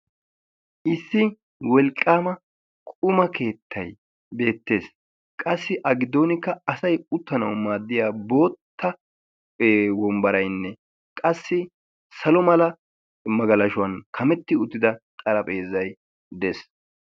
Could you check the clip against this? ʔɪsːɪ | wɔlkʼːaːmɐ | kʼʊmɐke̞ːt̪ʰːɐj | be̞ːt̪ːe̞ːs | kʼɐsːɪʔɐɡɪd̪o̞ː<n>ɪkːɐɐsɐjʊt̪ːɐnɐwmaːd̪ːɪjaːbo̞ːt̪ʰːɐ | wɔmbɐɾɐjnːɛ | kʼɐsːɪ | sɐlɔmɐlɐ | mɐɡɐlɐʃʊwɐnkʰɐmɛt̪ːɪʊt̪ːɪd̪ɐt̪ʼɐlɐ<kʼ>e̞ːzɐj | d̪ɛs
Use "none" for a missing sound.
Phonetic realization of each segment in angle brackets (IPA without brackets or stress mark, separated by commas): n, pʼ